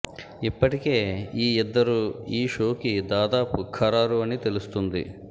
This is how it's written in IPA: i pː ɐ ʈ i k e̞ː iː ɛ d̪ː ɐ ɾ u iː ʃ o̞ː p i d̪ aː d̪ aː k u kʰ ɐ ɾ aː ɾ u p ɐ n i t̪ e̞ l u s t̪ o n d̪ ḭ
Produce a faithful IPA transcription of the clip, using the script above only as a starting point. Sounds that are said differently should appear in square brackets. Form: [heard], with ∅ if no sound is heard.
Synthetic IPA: i pː ɐ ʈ i k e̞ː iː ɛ d̪ː ɐ ɾ u iː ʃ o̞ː [k] i d̪ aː d̪ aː [p] u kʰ ɐ ɾ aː ɾ u [∅] ɐ n i t̪ e̞ l u s t̪ [u] n d̪ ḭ